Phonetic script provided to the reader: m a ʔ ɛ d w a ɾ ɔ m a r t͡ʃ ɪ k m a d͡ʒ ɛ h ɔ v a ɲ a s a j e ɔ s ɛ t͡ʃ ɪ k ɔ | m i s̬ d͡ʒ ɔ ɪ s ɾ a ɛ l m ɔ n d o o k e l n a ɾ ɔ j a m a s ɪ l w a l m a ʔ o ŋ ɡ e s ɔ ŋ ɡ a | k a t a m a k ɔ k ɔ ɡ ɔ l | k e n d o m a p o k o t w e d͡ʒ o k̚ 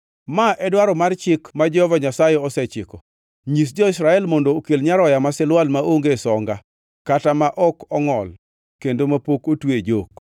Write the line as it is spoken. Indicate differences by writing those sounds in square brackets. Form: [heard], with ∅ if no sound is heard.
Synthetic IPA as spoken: m a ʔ ɛ d w a ɾ ɔ m a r t͡ʃ ɪ k m a d͡ʒ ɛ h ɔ v a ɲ a s a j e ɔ s ɛ t͡ʃ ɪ k ɔ | [ɲ] i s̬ d͡ʒ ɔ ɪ s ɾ a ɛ l m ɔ n d o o k e l [ɲ] a ɾ ɔ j a m a s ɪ l w a l m a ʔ o ŋ ɡ e s ɔ ŋ ɡ a | k a t a m a [ʔ] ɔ k ɔ [ŋ] ɔ l | k e n d o m a p o k o t w e d͡ʒ o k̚